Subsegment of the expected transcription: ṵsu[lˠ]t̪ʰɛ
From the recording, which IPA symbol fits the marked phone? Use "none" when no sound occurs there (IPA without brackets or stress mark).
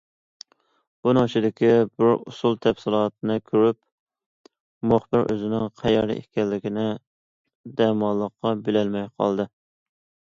lˠ